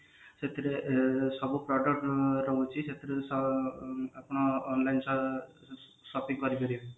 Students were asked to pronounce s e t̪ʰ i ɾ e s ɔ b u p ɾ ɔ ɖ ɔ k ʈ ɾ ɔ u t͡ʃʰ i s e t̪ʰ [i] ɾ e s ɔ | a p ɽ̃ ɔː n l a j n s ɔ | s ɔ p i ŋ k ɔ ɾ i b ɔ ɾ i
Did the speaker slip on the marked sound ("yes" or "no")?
no